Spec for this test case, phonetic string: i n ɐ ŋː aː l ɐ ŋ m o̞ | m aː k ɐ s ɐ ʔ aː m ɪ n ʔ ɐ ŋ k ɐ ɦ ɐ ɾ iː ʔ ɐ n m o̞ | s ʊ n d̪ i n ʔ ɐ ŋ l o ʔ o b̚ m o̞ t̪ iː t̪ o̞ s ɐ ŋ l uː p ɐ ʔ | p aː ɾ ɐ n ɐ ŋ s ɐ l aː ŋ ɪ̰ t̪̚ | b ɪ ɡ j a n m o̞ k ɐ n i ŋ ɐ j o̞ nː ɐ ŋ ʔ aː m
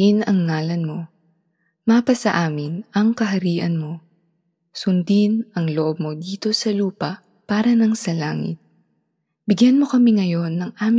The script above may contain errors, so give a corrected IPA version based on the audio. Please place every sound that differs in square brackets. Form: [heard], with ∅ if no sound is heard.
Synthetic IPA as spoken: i n ɐ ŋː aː l ɐ [n] m o̞ | m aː [p] ɐ s ɐ ʔ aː m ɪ n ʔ ɐ ŋ k ɐ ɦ ɐ ɾ iː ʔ ɐ n m o̞ | s ʊ n d̪ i n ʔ ɐ ŋ l o ʔ o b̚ m o̞ [d̪] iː t̪ o̞ s ɐ [∅] l uː p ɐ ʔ | p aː ɾ ɐ n ɐ ŋ s ɐ l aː ŋ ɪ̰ t̪̚ | b ɪ ɡ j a n m o̞ k ɐ [m] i ŋ ɐ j o̞ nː ɐ ŋ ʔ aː m